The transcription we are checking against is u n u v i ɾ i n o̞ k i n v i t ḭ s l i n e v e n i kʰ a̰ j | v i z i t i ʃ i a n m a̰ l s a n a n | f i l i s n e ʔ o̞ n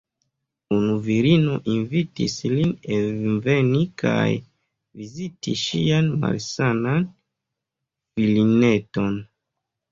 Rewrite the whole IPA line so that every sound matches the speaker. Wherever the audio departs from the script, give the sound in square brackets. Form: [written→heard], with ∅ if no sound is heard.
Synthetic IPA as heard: u n u v i ɾ i n o̞ [k→ʔ] i n v i t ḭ s l i n e v e n i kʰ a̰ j | v i z i t i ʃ i a n m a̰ l s a n a n | f i l i [s→∅] n e [ʔ→t] o̞ n